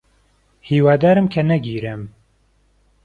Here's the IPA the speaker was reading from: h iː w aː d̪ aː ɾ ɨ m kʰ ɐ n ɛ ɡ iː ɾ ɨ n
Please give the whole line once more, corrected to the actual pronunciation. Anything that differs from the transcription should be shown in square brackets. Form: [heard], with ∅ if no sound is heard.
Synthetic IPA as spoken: h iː w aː d̪ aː ɾ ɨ m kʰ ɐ n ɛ ɡ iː ɾ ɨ [m]